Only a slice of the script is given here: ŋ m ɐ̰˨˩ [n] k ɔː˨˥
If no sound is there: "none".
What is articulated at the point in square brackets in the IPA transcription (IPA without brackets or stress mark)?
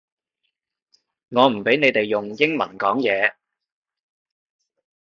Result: n